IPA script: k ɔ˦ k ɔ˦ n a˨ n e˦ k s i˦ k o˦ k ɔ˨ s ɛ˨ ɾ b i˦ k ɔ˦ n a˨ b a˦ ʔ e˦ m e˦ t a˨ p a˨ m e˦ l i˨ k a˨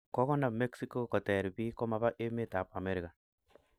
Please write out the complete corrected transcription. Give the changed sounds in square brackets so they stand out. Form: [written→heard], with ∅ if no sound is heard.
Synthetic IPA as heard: k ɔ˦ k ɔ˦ n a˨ [n→m] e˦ k s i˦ k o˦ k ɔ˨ [s→t] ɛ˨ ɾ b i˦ k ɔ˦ [n→m] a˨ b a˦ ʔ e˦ m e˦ t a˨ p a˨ m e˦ [l→ɾ] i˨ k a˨